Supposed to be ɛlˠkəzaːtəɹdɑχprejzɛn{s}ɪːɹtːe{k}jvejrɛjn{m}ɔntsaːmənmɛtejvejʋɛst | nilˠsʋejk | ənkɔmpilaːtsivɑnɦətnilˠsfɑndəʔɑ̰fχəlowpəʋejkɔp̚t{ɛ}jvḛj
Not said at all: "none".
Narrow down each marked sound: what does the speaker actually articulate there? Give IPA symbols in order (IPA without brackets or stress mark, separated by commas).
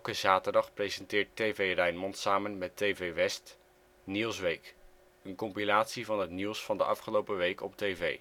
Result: t, none, m, e